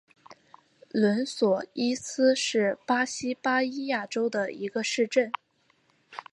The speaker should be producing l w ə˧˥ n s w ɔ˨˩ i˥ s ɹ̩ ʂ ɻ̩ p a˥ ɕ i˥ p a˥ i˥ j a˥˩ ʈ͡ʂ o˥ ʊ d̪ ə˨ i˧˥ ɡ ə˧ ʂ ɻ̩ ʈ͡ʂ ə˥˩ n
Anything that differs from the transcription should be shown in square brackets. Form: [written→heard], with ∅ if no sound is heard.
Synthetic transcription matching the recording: l w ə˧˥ n s w ɔ˨˩ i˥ s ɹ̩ ʂ ɻ̩ p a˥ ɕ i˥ p a˥ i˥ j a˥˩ ʈ͡ʂ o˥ ʊ d̪ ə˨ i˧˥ ɡ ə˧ ʂ ɻ̩ ʈ͡ʂ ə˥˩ n

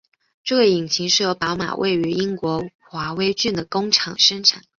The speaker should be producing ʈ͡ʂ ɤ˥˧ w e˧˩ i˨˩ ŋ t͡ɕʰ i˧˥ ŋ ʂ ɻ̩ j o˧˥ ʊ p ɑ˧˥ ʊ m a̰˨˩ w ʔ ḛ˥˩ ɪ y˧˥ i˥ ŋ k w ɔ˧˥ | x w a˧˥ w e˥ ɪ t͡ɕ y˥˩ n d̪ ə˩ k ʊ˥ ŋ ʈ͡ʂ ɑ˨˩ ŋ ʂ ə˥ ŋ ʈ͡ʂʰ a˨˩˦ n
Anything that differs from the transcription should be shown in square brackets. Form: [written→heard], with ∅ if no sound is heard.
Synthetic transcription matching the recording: ʈ͡ʂ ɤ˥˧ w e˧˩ i˨˩ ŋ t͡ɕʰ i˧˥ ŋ ʂ ɻ̩ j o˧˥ ʊ p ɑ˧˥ ʊ m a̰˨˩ w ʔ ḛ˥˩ ɪ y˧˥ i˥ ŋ k w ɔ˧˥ | x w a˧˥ w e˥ ɪ t͡ɕ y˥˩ n d̪ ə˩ k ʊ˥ ŋ [ʈ͡ʂ→ʈ͡ʂʰ] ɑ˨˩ ŋ ʂ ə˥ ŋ ʈ͡ʂʰ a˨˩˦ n

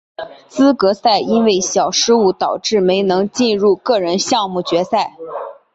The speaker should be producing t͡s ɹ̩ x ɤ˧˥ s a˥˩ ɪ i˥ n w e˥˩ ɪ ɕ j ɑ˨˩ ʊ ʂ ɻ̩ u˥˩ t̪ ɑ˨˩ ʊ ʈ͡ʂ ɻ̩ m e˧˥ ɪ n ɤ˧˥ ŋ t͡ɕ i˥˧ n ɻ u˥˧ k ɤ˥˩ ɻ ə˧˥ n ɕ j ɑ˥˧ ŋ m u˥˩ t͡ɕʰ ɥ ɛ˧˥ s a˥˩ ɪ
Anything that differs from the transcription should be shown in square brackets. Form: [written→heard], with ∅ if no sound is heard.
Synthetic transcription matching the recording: t͡s ɹ̩ [x→k] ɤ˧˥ s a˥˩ ɪ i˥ n w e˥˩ ɪ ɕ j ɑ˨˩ ʊ ʂ ɻ̩ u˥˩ t̪ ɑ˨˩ ʊ ʈ͡ʂ ɻ̩ m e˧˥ ɪ n ɤ˧˥ ŋ t͡ɕ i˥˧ n ɻ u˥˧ k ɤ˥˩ ɻ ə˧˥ n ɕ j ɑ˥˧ ŋ m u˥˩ [t͡ɕʰ→t͡ɕ] ɥ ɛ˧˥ s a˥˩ ɪ

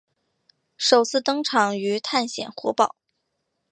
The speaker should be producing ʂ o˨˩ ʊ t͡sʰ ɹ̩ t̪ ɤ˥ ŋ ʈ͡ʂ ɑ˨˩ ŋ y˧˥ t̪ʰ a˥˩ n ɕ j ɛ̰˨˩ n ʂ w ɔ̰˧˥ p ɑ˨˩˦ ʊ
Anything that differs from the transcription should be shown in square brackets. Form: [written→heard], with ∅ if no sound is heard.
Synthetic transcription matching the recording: ʂ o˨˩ ʊ t͡sʰ ɹ̩ t̪ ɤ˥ ŋ [ʈ͡ʂ→ʈ͡ʂʰ] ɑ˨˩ ŋ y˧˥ t̪ʰ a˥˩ n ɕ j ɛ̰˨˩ n [ʂ→x] w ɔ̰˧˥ p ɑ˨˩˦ ʊ

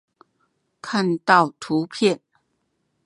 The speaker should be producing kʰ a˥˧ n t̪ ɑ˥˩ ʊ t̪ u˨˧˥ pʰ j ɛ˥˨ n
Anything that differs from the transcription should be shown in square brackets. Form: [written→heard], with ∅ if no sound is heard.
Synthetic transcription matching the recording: kʰ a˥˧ n t̪ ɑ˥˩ ʊ [t̪→t̪ʰ] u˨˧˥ pʰ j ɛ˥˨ n

